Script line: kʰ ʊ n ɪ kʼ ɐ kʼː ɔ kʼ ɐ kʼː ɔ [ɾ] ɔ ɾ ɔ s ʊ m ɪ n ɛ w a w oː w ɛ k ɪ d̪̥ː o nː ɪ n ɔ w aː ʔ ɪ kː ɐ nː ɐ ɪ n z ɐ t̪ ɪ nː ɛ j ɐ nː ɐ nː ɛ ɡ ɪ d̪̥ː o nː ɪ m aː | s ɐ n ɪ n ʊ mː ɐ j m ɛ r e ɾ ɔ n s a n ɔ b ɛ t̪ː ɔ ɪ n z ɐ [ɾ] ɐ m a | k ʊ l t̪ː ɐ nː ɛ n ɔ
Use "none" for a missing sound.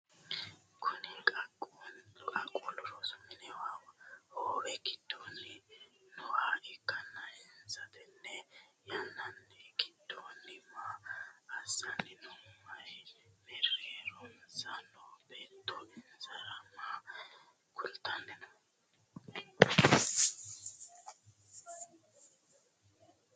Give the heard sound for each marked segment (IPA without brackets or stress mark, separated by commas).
l, ɾ